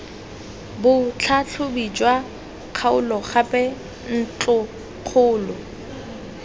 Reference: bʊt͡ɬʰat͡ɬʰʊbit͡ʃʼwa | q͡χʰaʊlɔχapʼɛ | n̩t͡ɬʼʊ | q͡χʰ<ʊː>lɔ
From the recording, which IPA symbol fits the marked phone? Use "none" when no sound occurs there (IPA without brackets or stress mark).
ʊː